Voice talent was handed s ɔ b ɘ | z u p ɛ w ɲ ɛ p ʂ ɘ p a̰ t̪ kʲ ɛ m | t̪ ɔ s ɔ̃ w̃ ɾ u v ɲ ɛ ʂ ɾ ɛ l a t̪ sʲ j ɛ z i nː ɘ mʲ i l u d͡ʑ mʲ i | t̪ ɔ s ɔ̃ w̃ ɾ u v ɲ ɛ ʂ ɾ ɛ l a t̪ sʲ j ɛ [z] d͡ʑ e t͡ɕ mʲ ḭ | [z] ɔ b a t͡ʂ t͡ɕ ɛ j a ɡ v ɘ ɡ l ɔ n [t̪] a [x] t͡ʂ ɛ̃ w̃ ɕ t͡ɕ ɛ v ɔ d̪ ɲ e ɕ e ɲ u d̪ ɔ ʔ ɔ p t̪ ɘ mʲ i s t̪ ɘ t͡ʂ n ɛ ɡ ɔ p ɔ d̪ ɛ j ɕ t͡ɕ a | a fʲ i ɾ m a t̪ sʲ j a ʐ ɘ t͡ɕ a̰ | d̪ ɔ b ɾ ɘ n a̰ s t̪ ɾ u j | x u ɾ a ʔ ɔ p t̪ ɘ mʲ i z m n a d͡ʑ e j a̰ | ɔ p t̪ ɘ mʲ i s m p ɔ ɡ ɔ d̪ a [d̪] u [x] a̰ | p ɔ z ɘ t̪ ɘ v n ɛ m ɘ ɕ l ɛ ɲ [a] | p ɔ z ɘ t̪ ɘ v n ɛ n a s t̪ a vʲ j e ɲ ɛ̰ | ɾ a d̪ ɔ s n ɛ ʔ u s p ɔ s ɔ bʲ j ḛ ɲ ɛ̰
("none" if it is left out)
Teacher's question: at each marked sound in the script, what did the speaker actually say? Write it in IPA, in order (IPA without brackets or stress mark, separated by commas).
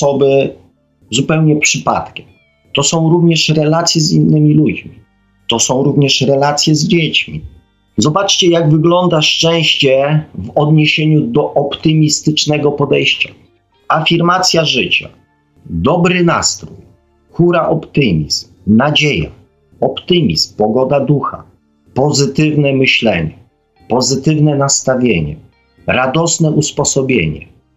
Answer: z, z, d̪, ʂ, d̪, x, ɛ